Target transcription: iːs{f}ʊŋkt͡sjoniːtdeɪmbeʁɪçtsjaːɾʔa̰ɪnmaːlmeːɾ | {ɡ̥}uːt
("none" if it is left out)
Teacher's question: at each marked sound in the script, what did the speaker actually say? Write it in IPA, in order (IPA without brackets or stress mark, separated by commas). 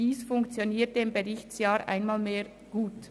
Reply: f, ɡ̥